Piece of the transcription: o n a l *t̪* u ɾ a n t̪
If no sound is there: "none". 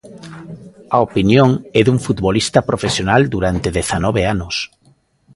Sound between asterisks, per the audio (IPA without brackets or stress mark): d̪